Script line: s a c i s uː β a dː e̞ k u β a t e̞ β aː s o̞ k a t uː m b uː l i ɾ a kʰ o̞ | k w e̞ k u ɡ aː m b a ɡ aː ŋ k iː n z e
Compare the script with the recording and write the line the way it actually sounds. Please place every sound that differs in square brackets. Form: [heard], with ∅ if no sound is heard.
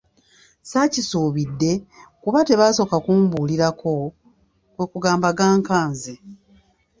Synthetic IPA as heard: s a c i s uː β [i] dː e̞ k u β a t e̞ β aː s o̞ k a [k] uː m b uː l i ɾ a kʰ o̞ | k w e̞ k u ɡ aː m b a ɡ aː ŋ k [aː] n z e